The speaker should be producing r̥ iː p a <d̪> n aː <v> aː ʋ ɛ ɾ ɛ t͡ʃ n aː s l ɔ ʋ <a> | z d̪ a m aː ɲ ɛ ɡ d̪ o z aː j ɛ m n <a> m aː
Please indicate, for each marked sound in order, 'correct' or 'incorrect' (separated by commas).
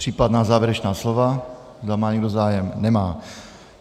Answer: correct, incorrect, correct, incorrect